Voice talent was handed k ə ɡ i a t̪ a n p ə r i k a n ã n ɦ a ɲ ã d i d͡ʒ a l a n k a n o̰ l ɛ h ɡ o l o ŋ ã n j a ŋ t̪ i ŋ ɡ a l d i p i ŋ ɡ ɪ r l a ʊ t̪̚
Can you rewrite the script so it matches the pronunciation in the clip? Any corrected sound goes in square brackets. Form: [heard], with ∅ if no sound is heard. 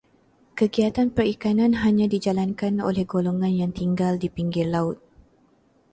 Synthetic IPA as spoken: k ə ɡ i a t̪ a n p ə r i k a n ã n ɦ a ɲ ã d i d͡ʒ a l a n k a n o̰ l ɛ h ɡ o l o ŋ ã n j a ŋ t̪ i ŋ ɡ a l d i p i ŋ ɡ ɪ r l a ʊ t̪̚